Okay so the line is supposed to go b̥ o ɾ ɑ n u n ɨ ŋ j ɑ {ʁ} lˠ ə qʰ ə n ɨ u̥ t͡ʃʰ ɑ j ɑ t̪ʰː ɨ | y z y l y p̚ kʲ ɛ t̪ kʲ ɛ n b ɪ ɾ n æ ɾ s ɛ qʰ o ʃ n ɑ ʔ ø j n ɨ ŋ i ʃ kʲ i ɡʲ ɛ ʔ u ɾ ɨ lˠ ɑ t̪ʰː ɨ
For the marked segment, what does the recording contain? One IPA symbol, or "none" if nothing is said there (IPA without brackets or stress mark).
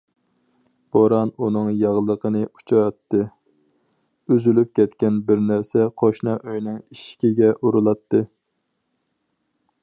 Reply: ʁ